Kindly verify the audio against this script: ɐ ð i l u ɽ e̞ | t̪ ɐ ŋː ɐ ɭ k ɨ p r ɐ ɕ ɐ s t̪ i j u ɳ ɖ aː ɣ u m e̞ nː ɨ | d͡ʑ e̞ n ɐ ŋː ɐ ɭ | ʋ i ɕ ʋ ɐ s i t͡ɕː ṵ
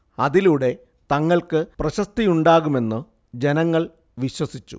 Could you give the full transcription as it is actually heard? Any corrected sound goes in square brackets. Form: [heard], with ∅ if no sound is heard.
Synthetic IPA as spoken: ɐ ð i l u ɽ e̞ | t̪ ɐ ŋː ɐ ɭ k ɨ p r ɐ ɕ ɐ s t̪ i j u ɳ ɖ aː ɣ u m e̞ nː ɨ | d͡ʑ e̞ n ɐ ŋː ɐ ɭ | ʋ i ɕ [w] ɐ s i t͡ɕː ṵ